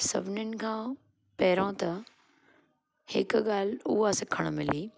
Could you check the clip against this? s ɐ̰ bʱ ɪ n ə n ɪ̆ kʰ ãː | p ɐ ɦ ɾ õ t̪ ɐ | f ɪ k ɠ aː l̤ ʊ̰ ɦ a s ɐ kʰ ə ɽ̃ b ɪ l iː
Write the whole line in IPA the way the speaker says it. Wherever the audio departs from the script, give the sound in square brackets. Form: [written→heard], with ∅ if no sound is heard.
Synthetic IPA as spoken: s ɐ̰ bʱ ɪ n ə n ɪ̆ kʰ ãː | p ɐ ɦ ɾ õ t̪ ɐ | [f→h] ɪ k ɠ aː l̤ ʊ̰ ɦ a s ɐ kʰ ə ɽ̃ [b→m] ɪ l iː